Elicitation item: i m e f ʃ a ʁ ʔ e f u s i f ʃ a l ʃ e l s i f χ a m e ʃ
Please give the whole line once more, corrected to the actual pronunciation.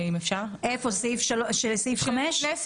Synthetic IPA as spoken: i m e f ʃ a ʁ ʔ e f o s i f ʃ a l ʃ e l s i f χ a m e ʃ